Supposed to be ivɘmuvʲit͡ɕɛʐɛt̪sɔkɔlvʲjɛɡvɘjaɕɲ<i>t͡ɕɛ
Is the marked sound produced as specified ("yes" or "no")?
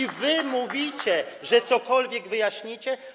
yes